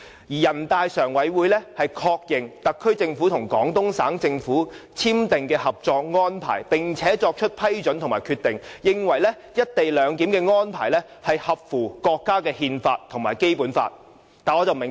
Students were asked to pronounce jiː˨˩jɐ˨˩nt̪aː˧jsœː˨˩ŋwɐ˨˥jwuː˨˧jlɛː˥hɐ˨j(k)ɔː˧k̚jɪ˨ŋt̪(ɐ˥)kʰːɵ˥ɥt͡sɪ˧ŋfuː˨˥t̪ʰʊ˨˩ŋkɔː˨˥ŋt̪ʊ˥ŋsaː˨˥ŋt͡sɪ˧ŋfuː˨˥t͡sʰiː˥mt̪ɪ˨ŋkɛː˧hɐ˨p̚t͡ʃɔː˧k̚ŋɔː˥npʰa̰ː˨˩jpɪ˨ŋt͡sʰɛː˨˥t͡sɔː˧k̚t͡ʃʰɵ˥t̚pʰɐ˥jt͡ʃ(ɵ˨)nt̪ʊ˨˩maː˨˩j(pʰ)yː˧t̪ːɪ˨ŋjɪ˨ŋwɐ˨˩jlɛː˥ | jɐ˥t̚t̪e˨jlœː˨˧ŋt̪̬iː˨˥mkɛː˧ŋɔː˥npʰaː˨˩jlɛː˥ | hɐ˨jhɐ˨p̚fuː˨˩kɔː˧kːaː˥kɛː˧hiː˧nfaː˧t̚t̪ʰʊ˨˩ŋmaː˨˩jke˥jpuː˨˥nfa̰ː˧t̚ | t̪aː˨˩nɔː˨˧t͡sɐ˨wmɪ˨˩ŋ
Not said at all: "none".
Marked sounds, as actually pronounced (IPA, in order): kʰ, ɐ˨, ɵ˨˥, kʰ

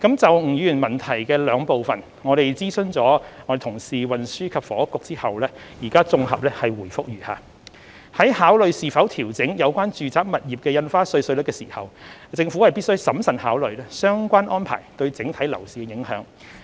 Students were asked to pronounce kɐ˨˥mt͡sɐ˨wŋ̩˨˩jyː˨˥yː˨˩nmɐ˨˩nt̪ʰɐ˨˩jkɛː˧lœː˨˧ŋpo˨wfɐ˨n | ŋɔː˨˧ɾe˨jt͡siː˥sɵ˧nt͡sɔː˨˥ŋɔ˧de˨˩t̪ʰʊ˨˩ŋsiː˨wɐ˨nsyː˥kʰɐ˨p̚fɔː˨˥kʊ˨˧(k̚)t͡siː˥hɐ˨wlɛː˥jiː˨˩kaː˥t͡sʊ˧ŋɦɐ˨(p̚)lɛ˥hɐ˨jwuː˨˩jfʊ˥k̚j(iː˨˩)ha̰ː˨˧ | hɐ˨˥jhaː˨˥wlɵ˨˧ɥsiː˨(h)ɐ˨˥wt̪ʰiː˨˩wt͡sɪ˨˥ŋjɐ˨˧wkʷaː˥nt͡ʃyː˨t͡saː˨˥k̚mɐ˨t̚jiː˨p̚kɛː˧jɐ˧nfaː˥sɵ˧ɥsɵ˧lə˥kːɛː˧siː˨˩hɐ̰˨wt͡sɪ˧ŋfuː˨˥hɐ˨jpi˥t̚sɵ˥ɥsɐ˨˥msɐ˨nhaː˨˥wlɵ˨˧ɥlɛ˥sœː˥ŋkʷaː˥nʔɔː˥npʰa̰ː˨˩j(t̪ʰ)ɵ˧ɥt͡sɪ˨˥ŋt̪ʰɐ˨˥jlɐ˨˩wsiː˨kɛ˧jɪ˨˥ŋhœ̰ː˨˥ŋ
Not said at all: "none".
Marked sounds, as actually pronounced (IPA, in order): k̚, p̚, yː˨˩, f, t̪

